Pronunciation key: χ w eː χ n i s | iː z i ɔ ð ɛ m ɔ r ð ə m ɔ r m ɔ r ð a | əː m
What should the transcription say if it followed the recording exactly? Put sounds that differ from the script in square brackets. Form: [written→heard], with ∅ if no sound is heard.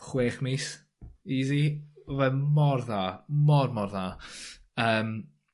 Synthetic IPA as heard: χ w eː χ [n→m] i s | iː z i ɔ [ð→v] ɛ m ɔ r ð [ə→a] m ɔ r m ɔ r ð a | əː m